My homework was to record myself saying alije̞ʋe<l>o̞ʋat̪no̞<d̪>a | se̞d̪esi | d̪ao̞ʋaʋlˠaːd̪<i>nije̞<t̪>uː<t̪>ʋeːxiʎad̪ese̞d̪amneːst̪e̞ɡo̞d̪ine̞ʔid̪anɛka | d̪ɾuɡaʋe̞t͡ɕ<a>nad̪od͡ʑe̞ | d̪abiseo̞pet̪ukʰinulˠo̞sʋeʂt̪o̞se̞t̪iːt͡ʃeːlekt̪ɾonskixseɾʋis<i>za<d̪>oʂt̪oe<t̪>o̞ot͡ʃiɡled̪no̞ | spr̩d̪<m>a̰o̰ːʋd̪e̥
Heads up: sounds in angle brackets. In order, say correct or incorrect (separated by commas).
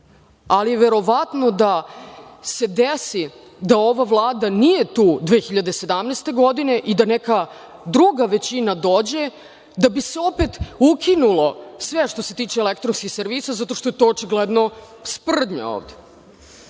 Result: incorrect, correct, incorrect, correct, incorrect, incorrect, incorrect, incorrect, correct, incorrect